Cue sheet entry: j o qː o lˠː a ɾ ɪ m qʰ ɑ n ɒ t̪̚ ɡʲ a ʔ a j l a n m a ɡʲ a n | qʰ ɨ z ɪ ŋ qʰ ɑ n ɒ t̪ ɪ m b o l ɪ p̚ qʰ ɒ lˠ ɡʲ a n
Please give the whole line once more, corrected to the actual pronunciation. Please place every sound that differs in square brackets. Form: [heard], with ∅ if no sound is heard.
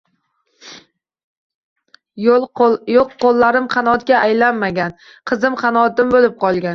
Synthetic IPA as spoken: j o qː o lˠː a ɾ ɪ m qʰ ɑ n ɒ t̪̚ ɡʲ a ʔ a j l a n m a ɡʲ a n | qʰ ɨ z ɪ [m] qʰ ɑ n ɒ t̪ ɪ m b o l ɪ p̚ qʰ ɒ lˠ ɡʲ a n